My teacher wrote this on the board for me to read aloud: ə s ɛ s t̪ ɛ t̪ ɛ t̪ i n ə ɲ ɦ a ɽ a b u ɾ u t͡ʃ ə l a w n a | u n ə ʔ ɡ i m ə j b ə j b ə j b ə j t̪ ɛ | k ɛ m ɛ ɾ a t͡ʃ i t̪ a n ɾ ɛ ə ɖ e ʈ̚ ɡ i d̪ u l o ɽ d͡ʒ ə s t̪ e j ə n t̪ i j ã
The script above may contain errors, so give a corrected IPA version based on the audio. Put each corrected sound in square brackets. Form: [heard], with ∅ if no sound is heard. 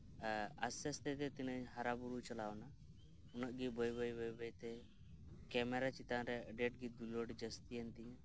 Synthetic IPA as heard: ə s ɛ s t̪ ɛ t̪ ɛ t̪ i n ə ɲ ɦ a [ɾ] a b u ɾ u t͡ʃ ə l a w n a | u n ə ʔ ɡ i [b] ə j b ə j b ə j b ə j t̪ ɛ | k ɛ m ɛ ɾ a t͡ʃ i t̪ a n ɾ ɛ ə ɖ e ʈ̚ ɡ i d̪ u l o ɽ d͡ʒ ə s t̪ [i] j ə n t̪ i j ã

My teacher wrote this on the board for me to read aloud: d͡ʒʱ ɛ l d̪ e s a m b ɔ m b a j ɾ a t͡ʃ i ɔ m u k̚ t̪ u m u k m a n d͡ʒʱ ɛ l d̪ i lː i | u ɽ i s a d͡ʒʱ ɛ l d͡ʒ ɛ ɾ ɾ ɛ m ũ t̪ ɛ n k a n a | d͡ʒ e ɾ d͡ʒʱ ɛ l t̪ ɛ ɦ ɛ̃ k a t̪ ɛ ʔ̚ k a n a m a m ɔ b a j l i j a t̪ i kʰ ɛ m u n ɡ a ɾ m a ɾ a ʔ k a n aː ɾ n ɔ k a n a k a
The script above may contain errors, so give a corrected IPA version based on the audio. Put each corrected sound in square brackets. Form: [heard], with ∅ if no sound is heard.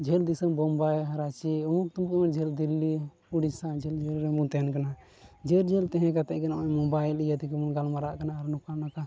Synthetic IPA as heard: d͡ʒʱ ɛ l d̪ [i] s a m b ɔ m b a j ɾ a t͡ʃ i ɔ m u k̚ t̪ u m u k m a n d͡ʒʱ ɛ l d̪ i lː i | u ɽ i s a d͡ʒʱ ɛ l d͡ʒ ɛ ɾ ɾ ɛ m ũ t̪ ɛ n k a n a | d͡ʒ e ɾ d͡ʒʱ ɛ l t̪ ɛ ɦ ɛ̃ k a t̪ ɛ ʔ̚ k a n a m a m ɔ b a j l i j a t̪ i [k] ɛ m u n ɡ a [l] m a ɾ a ʔ k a n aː ɾ n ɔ k a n a k a

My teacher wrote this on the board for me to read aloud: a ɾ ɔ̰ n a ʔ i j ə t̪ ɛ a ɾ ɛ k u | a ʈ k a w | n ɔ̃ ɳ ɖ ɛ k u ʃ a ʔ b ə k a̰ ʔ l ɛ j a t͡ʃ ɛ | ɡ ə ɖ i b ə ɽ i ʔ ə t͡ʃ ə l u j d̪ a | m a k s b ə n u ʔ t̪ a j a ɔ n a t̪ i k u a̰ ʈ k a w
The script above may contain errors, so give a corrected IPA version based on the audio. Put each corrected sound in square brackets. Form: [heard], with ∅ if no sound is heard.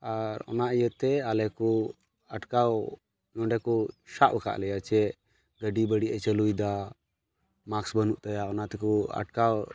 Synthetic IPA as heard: a ɾ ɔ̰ n a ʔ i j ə t̪ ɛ a [l] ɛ k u | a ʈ k a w | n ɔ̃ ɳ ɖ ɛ k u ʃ a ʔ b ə k a̰ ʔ l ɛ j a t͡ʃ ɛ | ɡ ə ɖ i b ə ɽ i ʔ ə t͡ʃ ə l u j d̪ a | m a k s b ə n u ʔ t̪ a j a ɔ n a t̪ [ɛ] k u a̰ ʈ k a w

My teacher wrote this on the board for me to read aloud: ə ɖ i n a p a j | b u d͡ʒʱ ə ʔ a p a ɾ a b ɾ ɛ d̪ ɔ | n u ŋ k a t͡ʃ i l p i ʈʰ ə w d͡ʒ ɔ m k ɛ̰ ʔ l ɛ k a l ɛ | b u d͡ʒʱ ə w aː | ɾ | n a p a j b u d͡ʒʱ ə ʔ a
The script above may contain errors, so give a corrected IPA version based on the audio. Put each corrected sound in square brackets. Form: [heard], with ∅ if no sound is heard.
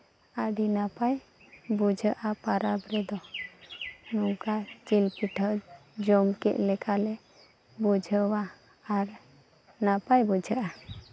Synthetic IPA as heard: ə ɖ i n a p a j | b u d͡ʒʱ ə ʔ a p a ɾ a b ɾ ɛ d̪ ɔ | n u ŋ k a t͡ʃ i l p i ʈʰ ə [∅] d͡ʒ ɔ m k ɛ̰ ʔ l ɛ k a l ɛ | b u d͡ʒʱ ə w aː | ɾ | n a p a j b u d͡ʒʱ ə ʔ a

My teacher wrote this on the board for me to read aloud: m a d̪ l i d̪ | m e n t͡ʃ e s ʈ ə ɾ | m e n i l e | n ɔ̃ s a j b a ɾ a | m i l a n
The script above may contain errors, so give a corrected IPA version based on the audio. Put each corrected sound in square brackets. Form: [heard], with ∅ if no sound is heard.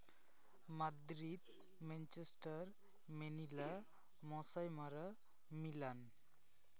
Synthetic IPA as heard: m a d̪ [ɾ] i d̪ | m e n t͡ʃ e s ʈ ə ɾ | m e n i l [a] | [m] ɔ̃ s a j [m] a ɾ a | m i l a n

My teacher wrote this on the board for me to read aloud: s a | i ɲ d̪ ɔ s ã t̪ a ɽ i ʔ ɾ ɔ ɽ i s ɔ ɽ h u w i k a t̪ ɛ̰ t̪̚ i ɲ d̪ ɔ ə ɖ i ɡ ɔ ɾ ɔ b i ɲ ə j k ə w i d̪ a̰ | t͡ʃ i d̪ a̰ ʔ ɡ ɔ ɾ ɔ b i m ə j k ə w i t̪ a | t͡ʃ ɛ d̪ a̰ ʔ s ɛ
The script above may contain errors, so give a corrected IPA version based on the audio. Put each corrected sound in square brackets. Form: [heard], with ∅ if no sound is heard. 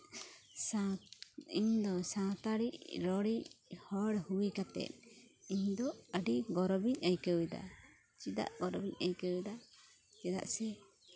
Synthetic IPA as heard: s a | i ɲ d̪ ɔ s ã t̪ a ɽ i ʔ ɾ ɔ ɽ i [h] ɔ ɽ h u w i k a t̪ ɛ̰ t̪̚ i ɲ d̪ ɔ ə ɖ i ɡ ɔ ɾ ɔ b i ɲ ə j k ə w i d̪ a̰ | t͡ʃ i d̪ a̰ ʔ ɡ ɔ ɾ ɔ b i [ɲ] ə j k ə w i [d̪] a | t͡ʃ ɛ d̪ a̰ ʔ s ɛ

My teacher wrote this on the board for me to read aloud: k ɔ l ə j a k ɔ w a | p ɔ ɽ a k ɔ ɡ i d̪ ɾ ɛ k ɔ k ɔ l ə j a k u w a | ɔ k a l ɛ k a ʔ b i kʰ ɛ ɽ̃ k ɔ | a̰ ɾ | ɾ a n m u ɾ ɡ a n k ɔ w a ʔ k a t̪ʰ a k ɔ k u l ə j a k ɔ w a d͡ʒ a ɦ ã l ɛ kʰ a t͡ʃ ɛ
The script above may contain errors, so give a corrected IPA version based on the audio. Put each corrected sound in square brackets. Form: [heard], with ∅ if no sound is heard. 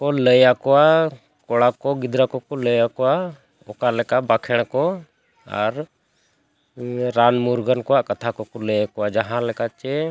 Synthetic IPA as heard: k ɔ l ə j a k ɔ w a | [k] ɔ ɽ a k ɔ ɡ i d̪ ɾ [a] k ɔ k ɔ l ə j a k [ɔ] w a | ɔ k a l ɛ k a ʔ b [a] kʰ ɛ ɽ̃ k ɔ | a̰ ɾ | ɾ a n m u ɾ ɡ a n k ɔ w a ʔ k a t̪ʰ a k ɔ k [ɔ] l ə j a k ɔ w a d͡ʒ a ɦ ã l ɛ [k] a t͡ʃ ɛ

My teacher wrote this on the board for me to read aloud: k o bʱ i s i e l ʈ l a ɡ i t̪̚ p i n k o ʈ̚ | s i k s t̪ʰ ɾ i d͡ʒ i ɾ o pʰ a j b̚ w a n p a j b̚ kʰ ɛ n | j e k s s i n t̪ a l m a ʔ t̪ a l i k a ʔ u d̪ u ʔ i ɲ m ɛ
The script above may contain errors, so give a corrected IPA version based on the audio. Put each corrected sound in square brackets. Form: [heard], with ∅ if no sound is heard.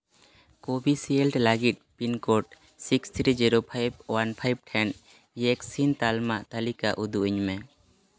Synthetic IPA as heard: k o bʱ i s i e l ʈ l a ɡ i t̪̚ p i n k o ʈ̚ | s i k s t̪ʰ ɾ i d͡ʒ i ɾ o pʰ a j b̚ w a n [pʰ] a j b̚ [ʈʰ] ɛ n | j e k s s i n t̪ a l m a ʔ t̪ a l i k a ʔ u d̪ u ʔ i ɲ m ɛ

